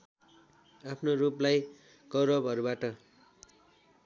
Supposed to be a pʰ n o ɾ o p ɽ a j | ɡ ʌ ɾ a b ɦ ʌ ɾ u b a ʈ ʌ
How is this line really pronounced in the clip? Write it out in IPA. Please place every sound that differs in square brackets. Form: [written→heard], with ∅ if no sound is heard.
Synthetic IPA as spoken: a pʰ n o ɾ [o→u] p [ɽ→l] a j | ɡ ʌ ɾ [a→ʌ] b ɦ ʌ ɾ u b a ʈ ʌ